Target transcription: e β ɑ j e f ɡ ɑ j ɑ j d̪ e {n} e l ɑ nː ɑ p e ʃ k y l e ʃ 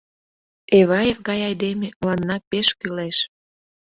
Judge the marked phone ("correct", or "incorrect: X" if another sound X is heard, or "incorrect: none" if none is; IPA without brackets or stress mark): incorrect: m